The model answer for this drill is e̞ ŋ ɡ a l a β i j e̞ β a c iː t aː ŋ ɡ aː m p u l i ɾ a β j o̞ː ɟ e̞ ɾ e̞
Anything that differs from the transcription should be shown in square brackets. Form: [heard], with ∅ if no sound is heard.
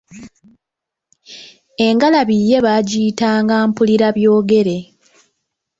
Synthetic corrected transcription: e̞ ŋ ɡ a l a β i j e̞ β a [ɟ] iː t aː ŋ ɡ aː m p u l i ɾ a β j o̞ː [ɡ] e̞ ɾ e̞